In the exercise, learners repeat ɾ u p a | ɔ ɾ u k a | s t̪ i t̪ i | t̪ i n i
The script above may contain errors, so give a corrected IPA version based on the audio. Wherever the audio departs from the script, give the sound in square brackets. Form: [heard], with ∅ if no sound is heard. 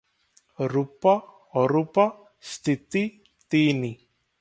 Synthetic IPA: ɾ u p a | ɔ ɾ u [p] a | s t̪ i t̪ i | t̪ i n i